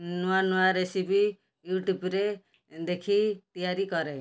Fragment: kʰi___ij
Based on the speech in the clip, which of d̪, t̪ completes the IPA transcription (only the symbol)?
t̪